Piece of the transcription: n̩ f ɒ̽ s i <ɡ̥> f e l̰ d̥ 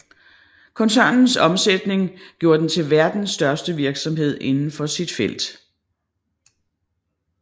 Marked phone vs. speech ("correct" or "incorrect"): incorrect